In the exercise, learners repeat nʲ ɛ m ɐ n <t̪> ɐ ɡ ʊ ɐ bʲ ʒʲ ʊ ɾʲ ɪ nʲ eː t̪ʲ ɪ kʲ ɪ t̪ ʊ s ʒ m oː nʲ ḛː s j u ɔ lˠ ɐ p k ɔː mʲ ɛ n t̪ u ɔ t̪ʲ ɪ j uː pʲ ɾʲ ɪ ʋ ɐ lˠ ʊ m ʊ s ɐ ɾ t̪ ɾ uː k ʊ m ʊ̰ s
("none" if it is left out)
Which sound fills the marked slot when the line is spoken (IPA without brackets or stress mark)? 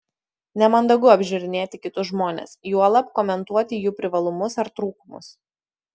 d̪